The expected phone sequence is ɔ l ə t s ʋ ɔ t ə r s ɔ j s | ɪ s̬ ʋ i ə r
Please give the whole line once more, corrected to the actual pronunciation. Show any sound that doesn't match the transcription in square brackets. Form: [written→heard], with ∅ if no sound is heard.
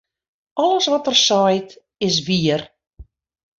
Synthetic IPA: ɔ l ə [t→∅] s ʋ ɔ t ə r s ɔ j [s→t] | ɪ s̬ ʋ i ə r